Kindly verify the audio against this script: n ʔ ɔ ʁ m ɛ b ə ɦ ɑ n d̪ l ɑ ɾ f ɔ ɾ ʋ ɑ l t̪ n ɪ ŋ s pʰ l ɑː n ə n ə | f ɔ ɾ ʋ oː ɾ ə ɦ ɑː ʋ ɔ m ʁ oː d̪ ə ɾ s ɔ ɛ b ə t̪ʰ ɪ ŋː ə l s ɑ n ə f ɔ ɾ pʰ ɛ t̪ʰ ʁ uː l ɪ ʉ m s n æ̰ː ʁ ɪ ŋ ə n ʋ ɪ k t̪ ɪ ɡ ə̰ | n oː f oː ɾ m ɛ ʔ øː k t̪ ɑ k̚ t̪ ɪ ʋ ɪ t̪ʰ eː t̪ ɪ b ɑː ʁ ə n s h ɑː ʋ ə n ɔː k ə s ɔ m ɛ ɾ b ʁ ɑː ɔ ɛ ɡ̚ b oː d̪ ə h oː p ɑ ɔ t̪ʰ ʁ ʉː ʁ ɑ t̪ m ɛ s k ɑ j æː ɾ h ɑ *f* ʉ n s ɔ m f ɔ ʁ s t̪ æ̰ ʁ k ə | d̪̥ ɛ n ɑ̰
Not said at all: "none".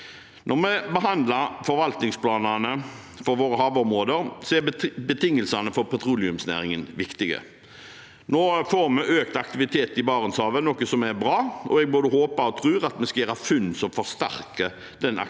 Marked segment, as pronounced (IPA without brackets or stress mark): f